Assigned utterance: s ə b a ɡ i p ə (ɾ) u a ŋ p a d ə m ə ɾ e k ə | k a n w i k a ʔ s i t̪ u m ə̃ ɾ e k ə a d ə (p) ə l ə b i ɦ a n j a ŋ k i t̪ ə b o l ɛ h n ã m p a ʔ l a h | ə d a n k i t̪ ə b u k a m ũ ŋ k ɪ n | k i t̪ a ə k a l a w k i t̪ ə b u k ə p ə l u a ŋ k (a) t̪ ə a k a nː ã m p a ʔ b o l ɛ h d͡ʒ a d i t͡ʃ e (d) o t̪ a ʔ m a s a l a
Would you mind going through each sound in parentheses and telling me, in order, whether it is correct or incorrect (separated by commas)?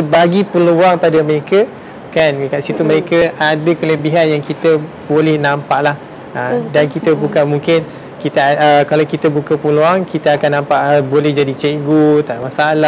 incorrect, incorrect, incorrect, incorrect